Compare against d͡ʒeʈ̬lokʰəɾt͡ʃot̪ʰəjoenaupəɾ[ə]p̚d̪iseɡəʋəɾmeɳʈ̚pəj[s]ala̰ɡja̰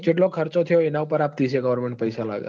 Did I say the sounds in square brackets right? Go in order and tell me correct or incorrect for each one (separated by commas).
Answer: incorrect, correct